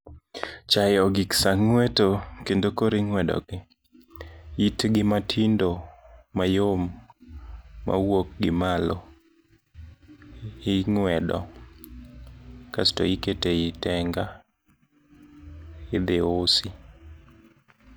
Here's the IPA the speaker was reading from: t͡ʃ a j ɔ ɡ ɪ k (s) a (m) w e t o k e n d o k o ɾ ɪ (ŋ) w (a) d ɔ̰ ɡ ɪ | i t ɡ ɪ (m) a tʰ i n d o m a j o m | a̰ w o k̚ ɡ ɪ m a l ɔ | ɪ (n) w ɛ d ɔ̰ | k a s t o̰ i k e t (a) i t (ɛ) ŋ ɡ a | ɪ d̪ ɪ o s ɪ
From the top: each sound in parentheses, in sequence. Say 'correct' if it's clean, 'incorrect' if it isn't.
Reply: correct, incorrect, correct, incorrect, correct, incorrect, incorrect, correct

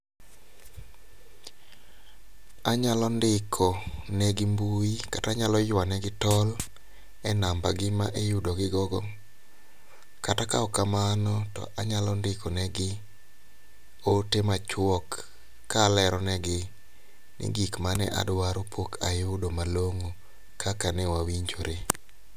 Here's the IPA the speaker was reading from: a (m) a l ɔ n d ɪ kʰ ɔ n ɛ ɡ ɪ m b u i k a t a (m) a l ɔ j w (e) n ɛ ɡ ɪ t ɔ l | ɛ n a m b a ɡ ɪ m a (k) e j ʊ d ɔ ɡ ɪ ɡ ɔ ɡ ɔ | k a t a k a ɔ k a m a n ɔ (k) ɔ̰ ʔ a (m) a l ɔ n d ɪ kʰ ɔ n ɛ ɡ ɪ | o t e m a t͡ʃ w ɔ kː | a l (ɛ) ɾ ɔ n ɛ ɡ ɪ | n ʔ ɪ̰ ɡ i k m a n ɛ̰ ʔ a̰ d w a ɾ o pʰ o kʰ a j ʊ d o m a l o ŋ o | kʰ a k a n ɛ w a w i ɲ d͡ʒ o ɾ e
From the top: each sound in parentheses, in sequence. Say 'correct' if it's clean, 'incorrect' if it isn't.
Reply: incorrect, incorrect, incorrect, incorrect, incorrect, incorrect, correct

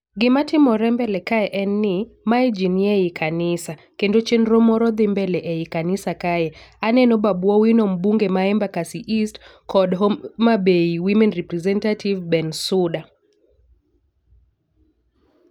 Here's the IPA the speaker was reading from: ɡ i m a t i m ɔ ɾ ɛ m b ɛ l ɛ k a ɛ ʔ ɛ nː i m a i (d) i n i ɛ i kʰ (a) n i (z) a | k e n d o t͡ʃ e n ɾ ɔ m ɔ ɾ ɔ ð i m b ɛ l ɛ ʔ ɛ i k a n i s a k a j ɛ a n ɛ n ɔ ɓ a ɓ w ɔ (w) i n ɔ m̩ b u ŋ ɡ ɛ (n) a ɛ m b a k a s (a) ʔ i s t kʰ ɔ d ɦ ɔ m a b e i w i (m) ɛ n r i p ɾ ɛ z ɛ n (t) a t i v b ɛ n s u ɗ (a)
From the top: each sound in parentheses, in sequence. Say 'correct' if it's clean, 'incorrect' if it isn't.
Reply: incorrect, correct, incorrect, correct, incorrect, incorrect, correct, correct, correct

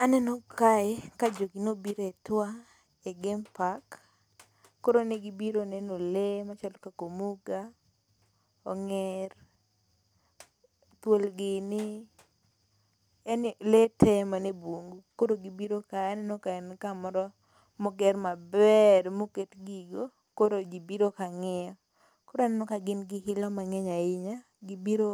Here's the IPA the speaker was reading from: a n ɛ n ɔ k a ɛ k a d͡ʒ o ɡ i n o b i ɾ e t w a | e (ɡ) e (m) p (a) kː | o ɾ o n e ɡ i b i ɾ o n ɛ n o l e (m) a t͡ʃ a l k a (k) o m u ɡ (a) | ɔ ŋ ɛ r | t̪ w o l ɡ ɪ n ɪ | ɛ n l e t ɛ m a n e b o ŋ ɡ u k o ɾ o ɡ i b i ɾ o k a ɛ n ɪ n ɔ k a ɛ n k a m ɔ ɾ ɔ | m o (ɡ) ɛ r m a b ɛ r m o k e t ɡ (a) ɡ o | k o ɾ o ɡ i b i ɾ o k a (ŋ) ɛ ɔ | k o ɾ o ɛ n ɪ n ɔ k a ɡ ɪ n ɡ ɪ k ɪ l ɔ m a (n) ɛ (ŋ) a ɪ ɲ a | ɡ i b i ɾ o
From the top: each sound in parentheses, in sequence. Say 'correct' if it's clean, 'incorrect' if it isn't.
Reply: correct, correct, correct, correct, correct, correct, correct, incorrect, correct, incorrect, incorrect

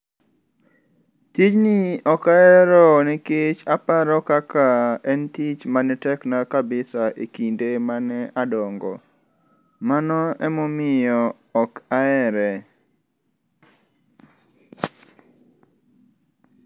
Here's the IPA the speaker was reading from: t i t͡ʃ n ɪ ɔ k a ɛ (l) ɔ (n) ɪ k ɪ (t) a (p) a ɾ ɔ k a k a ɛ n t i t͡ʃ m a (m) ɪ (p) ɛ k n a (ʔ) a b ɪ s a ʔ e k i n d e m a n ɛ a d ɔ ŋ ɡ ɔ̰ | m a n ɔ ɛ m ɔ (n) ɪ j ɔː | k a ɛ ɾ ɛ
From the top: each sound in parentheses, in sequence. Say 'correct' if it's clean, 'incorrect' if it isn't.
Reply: incorrect, correct, incorrect, correct, incorrect, incorrect, incorrect, incorrect

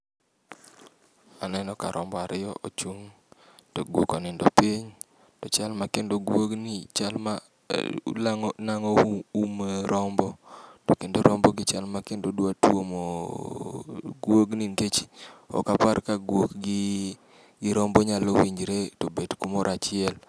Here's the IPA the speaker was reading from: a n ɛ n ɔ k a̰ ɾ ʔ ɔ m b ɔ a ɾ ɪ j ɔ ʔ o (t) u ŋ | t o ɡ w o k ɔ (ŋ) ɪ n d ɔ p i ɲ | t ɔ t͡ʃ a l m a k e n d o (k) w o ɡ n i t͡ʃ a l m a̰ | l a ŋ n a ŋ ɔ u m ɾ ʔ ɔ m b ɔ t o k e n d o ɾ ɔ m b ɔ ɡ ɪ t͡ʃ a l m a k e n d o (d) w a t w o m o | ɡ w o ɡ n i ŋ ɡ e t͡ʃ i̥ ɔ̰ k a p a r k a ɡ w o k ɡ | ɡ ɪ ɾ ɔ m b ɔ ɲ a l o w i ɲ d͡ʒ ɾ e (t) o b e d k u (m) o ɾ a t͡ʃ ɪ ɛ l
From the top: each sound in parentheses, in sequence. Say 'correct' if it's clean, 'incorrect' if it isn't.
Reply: incorrect, incorrect, incorrect, correct, correct, correct

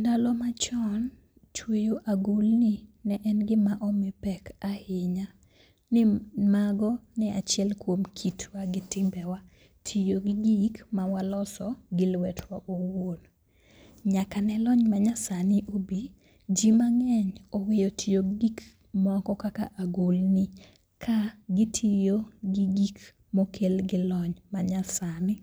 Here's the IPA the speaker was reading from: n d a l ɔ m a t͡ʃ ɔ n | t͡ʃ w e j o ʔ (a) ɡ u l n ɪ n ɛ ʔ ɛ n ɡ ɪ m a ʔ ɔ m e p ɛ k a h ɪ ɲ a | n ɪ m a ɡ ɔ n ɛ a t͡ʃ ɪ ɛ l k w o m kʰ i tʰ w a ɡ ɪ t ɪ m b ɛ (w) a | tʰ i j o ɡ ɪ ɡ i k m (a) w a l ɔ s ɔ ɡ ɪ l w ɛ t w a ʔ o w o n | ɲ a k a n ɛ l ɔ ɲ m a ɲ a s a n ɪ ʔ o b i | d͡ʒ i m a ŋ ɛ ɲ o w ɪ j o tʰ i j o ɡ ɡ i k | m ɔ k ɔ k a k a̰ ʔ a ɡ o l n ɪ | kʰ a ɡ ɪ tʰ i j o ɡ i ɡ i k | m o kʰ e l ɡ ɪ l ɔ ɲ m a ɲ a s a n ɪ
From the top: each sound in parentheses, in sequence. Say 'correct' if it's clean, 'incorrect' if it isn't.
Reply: correct, correct, correct

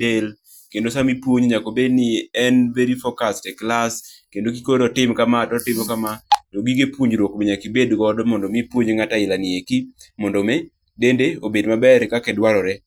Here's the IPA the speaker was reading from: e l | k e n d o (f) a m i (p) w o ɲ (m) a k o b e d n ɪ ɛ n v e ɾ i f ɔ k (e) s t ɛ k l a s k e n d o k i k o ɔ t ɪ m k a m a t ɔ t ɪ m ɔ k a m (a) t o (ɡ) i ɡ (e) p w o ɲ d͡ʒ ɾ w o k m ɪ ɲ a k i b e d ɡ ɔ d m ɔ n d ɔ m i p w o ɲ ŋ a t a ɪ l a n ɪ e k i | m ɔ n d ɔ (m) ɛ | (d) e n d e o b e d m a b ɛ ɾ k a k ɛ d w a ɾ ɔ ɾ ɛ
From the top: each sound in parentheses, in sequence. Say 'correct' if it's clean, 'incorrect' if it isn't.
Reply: incorrect, correct, incorrect, incorrect, correct, correct, correct, correct, correct

